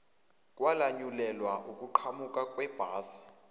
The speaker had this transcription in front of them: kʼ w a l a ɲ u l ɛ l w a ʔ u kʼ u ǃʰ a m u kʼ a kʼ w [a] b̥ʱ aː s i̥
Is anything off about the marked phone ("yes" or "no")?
yes